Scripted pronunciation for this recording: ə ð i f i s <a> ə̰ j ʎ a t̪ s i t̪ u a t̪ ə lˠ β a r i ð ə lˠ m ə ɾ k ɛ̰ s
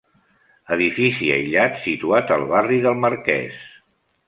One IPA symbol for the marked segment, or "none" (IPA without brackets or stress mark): i